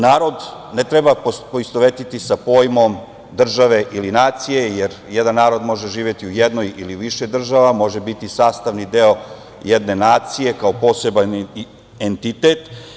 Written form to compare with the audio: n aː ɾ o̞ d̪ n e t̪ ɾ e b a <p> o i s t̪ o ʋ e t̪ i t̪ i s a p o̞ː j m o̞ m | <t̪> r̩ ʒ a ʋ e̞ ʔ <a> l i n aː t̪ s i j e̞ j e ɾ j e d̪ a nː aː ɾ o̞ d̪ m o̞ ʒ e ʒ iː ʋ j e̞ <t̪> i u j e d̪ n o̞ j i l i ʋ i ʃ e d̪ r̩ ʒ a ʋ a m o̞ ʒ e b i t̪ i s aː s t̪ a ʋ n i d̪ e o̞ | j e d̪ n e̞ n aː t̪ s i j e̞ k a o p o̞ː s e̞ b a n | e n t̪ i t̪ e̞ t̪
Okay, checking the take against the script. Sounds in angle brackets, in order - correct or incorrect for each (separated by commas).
correct, incorrect, incorrect, correct